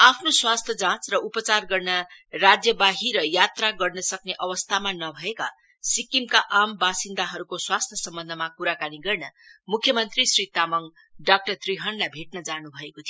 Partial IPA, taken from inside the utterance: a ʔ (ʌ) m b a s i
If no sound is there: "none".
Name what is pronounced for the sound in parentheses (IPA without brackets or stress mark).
a